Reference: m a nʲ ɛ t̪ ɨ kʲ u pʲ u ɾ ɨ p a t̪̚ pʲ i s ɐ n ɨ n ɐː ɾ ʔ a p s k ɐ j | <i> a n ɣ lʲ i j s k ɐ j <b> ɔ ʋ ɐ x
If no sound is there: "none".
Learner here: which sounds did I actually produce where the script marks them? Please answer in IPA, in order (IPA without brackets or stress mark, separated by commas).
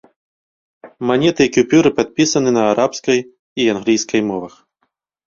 i, m